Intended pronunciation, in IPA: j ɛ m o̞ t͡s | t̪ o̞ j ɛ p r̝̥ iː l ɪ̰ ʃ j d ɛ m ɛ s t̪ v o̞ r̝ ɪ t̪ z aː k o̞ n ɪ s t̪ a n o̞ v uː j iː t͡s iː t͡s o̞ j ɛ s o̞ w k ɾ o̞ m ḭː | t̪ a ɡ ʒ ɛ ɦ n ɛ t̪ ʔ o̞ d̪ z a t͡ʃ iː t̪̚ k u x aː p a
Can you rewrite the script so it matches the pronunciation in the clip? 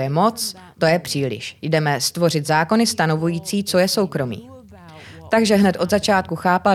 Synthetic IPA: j ɛ m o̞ t͡s | t̪ o̞ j ɛ p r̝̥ iː l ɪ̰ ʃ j d ɛ m ɛ s t̪ v o̞ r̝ ɪ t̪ z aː k o̞ n ɪ s t̪ a n o̞ v u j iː t͡s iː t͡s o̞ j ɛ s o̞ w k ɾ o̞ m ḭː | t̪ a ɡ ʒ ɛ ɦ n ɛ t̪ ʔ o̞ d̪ z a t͡ʃ aː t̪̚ k u x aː p a